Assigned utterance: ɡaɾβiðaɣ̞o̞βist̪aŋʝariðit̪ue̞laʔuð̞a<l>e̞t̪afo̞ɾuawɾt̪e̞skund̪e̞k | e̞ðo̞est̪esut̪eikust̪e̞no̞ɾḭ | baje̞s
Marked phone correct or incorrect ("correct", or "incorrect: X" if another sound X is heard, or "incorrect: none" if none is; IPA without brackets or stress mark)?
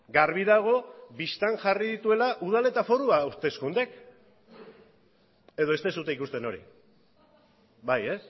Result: correct